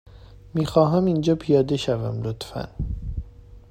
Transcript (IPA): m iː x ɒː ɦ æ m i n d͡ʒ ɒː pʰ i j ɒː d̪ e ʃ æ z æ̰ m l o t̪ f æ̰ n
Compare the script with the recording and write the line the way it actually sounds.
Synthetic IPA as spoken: m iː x ɒː ɦ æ m i n d͡ʒ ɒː pʰ i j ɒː d̪ e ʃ æ v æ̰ m l o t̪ f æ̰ n